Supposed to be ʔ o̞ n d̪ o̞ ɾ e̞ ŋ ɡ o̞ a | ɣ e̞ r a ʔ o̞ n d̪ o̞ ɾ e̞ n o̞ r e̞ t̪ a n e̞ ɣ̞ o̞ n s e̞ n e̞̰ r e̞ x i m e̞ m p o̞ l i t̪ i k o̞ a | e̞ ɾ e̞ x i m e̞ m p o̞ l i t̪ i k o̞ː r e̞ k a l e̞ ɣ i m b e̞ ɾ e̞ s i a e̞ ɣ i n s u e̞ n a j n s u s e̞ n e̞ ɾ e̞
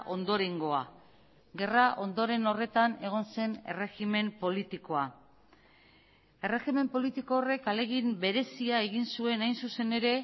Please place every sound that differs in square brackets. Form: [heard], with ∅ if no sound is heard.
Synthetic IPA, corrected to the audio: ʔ o̞ n d̪ o̞ ɾ e̞ ŋ ɡ o̞ a | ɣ e̞ r a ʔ o̞ n d̪ o̞ ɾ e̞ n o̞ r e̞ t̪ a n e̞ ɣ̞ o̞ n s e̞ n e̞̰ r e̞ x i m e̞ m p o̞ l i t̪ i k o̞ a | e̞ [r] e̞ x i m e̞ m p o̞ l i t̪ i k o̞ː r e̞ k a l e̞ ɣ i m b e̞ ɾ e̞ s i a e̞ ɣ i n s u e̞ n a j n s u s e̞ n e̞ ɾ e̞